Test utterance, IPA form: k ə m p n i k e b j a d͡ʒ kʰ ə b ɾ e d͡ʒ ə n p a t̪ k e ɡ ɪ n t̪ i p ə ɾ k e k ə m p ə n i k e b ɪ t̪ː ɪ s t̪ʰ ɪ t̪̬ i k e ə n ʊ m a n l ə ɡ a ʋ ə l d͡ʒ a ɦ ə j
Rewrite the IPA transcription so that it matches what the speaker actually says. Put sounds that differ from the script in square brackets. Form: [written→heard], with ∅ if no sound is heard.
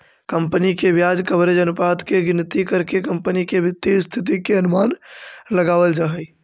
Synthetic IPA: k ə m p n i k e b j a d͡ʒ [kʰ→k] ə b ɾ e d͡ʒ ə n p a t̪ k e ɡ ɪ n t̪ i [p→k] ə ɾ k e k ə m p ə n i k e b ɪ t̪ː [ɪ→i] s t̪ʰ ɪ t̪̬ i k e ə n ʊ m a n l ə ɡ a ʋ ə l d͡ʒ a ɦ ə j